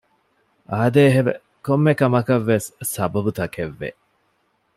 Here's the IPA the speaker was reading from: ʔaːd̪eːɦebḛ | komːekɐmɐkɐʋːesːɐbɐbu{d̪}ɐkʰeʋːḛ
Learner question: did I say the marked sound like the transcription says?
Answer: no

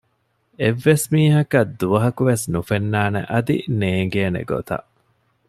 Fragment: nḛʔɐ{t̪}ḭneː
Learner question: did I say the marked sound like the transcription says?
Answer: no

